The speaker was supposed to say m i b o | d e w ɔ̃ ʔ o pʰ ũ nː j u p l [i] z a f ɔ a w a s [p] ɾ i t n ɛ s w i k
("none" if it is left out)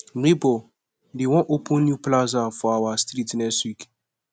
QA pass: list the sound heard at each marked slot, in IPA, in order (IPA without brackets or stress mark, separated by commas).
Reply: a, t